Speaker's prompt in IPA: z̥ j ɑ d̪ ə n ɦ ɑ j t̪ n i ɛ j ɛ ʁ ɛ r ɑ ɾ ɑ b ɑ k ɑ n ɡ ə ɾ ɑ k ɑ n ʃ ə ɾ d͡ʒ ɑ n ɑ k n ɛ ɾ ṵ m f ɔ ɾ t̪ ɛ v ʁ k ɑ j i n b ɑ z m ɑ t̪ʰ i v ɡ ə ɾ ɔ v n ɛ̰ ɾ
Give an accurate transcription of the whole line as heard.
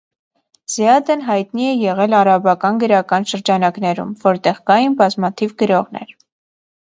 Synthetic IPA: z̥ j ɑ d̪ ə n ɦ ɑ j t̪ n i ɛ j ɛ ʁ ɛ l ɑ ɾ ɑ b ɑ k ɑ n ɡ ə ɾ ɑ k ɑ n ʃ ə ɾ d͡ʒ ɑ n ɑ k n ɛ ɾ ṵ m v ɔ ɾ t̪ ɛ ʁ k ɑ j i n b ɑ z m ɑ t̪ʰ i v ɡ ə ɾ ɔ ʁ n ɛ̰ ɾ